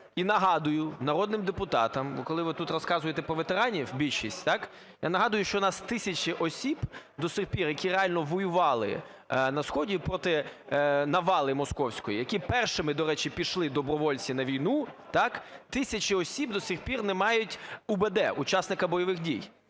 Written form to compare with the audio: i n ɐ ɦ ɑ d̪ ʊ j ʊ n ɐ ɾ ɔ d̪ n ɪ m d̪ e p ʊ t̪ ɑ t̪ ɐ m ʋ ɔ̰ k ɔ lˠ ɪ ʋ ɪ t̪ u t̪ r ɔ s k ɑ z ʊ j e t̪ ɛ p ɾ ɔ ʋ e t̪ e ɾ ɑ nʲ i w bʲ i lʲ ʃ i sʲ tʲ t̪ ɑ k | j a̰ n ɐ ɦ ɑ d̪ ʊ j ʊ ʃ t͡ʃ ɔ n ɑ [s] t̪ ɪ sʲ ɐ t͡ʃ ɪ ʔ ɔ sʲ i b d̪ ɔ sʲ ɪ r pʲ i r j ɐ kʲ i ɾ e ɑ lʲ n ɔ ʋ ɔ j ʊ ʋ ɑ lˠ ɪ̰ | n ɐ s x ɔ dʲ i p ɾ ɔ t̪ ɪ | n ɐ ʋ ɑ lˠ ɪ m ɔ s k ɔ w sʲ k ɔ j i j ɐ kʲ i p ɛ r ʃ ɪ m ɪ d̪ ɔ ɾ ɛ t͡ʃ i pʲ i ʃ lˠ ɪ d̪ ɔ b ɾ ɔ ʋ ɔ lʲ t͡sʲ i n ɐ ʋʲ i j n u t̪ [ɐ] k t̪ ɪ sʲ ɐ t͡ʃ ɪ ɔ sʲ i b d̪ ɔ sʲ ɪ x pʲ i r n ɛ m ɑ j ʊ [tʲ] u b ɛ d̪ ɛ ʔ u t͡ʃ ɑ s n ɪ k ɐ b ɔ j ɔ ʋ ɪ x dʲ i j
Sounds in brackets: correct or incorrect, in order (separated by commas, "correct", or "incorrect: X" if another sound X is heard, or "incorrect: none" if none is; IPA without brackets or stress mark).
correct, incorrect: ɑ, correct